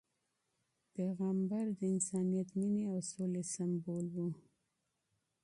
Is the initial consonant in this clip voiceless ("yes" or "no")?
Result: yes